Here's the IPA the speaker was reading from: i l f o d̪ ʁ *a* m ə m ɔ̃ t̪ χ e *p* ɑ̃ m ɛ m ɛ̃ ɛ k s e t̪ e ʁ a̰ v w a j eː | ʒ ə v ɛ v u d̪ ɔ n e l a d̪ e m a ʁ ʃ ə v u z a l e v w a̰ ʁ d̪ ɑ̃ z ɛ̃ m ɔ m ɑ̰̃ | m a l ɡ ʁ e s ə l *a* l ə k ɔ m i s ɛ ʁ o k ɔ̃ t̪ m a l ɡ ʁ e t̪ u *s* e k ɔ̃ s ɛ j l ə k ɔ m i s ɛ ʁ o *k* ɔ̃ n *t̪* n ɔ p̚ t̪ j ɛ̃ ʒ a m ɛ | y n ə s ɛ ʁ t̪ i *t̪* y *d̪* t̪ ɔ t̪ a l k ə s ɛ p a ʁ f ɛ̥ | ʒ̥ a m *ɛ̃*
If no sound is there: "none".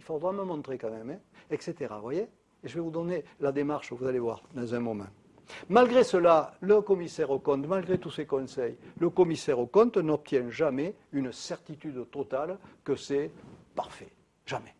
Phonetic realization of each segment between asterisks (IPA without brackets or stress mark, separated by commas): a, k, a, s, k, t̪, t̪, d̪, ɛ